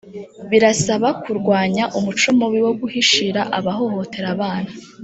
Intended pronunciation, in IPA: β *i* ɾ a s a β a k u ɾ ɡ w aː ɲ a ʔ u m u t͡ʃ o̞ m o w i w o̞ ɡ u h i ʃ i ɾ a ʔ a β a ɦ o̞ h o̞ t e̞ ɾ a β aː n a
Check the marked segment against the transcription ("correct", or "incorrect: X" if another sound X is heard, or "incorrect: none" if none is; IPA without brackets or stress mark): correct